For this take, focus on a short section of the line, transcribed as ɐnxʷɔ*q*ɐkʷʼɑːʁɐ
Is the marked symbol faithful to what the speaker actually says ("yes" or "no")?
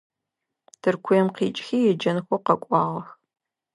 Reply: yes